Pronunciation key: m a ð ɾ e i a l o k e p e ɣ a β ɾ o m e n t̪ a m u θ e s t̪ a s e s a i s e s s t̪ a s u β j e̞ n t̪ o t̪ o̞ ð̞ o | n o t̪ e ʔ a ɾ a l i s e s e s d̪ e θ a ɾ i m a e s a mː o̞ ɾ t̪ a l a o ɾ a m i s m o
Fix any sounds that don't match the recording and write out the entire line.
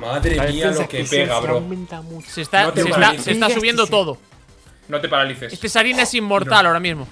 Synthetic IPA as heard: m a ð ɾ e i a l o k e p e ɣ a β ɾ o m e n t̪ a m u s e s t̪ a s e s a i s e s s t̪ a s u β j e̞ n d̪ o t̪ o̞ ð̞ o | n o t̪ e p a ɾ a l i θ e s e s t̪ e s a ɾ i n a e s i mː o̞ ɾ t̪ a l a o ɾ a m i z m o